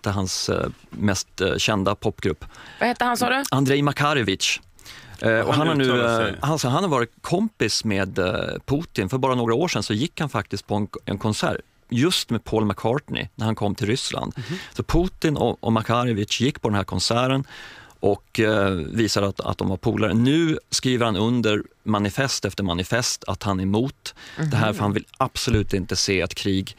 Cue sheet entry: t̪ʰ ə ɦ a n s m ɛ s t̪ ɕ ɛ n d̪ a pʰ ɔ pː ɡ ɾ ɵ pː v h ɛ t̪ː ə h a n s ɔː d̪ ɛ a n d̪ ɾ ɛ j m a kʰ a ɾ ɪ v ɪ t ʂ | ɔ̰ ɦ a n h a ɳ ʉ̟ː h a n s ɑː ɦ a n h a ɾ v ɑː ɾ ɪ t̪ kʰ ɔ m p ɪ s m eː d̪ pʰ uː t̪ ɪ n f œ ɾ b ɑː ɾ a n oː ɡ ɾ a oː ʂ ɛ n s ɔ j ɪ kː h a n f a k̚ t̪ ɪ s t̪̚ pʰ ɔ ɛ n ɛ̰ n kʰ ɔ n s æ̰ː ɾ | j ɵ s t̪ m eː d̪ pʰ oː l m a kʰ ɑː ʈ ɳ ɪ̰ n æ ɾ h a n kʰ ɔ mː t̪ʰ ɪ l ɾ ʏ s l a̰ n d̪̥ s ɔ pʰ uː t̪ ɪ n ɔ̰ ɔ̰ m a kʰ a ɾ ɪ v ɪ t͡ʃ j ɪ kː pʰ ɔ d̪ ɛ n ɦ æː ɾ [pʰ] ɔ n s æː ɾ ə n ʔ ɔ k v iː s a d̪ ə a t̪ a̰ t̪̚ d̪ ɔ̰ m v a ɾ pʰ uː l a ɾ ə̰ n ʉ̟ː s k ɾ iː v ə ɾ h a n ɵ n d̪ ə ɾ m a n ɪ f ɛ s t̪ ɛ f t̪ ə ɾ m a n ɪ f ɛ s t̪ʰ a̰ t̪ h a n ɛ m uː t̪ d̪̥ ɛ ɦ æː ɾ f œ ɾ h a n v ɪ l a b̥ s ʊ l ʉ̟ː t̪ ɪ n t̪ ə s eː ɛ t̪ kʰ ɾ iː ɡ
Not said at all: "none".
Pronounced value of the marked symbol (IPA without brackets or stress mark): kʰ